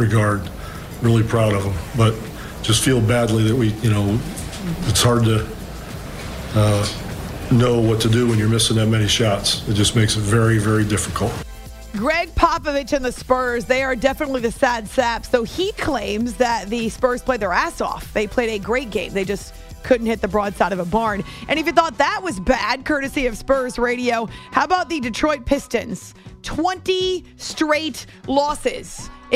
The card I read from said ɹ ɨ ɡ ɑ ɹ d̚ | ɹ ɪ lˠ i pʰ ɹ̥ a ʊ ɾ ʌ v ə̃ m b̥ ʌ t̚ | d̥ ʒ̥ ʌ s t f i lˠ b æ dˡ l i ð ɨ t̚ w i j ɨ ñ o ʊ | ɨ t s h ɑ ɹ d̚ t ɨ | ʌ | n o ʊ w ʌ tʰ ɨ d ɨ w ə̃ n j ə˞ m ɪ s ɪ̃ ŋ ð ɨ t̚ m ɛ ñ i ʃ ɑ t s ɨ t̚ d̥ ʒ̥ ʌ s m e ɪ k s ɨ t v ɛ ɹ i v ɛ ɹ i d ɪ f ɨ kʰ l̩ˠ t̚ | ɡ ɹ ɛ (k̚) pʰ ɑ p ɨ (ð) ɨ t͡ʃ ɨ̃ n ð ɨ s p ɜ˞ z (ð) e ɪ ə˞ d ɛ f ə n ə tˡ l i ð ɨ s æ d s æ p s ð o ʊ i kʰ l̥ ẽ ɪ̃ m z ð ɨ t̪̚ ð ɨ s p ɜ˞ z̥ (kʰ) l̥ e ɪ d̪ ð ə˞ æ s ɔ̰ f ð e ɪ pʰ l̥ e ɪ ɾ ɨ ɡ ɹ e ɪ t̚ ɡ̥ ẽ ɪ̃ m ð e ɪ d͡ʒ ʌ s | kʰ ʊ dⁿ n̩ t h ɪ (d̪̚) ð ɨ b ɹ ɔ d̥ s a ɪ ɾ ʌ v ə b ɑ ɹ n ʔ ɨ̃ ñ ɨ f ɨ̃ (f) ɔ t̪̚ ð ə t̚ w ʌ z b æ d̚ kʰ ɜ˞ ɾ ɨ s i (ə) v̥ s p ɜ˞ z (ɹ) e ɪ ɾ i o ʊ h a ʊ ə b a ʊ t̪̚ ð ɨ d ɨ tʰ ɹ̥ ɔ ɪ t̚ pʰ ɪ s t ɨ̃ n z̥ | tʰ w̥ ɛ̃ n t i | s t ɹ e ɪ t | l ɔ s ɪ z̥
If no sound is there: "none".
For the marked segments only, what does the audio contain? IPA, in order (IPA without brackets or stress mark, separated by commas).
ɡ̚, v, ð, pʰ, t̪̚, θ, ʌ, ɹ